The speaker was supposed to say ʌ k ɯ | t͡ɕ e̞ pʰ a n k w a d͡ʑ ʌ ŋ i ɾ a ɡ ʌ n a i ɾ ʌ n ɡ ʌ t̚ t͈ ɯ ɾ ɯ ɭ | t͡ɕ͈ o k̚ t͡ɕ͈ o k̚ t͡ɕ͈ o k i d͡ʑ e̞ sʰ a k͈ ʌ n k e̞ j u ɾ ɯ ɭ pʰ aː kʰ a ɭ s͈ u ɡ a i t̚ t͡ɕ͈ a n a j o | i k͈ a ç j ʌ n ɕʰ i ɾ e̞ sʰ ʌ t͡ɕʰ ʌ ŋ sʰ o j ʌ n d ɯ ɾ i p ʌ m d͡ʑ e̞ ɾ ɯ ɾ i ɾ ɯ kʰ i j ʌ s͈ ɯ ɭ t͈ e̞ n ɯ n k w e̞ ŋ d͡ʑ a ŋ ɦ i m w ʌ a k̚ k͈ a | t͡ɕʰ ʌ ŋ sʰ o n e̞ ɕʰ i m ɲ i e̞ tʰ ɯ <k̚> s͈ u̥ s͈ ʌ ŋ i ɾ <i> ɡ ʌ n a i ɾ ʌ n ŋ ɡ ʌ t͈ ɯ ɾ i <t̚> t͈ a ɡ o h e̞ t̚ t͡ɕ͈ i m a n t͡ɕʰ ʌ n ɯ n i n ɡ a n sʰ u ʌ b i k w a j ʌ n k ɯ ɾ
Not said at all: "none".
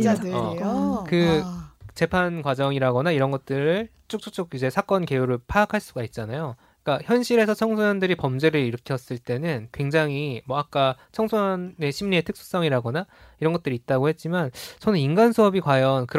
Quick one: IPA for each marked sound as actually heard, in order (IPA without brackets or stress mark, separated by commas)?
k̚, a, t̚